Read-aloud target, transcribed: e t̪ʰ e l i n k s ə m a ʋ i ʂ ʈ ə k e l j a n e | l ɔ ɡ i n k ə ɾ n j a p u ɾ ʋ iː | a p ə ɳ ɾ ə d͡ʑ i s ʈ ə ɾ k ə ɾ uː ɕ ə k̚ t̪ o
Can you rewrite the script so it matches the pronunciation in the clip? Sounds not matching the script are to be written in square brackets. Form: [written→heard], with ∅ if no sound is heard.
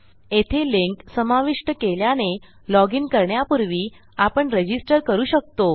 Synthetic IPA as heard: e t̪ʰ e l i [n→ŋ] k s ə m a ʋ i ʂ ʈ ə k e l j a n e | l ɔ ɡ i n k ə ɾ [n→ɳ] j a p u ɾ ʋ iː | a p ə ɳ ɾ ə d͡ʑ i s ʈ ə ɾ k ə ɾ uː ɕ ə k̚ t̪ o